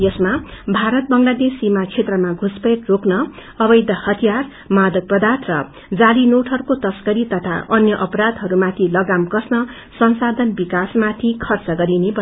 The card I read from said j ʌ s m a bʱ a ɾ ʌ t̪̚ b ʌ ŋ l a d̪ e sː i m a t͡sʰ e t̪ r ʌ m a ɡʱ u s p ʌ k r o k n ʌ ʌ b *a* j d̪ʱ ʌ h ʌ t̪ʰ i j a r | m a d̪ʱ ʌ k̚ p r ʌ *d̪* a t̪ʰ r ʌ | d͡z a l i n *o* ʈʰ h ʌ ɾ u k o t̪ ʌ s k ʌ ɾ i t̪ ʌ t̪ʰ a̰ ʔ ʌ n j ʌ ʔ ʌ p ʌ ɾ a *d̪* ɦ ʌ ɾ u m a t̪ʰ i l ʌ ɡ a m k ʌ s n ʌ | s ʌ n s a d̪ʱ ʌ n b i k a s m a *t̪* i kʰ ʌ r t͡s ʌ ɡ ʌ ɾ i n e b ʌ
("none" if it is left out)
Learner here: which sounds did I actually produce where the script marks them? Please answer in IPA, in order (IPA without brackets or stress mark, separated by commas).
ʌ, d̪, o, d̪, t̪ʰ